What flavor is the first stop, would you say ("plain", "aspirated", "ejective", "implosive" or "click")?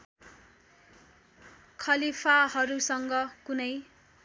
aspirated